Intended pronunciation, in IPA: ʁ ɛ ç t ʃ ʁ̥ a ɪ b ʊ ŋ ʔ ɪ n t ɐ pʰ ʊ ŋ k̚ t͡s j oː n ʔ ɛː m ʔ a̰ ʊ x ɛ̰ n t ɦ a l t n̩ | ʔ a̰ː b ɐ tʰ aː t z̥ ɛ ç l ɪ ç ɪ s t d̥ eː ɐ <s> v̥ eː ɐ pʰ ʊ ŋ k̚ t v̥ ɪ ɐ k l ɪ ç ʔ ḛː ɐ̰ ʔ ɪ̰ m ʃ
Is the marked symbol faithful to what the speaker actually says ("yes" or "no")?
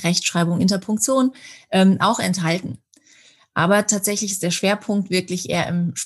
no